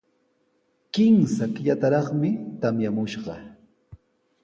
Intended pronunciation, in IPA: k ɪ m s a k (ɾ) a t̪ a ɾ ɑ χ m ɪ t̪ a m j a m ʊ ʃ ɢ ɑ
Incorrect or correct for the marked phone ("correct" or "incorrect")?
incorrect